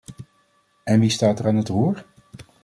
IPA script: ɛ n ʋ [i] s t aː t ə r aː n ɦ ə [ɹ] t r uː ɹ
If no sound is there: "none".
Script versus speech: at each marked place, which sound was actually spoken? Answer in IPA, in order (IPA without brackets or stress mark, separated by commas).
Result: i, none